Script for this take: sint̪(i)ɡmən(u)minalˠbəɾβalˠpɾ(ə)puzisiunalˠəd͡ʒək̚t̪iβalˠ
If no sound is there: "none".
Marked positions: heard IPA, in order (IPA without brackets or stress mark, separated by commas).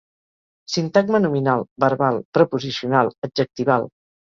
a, u, ə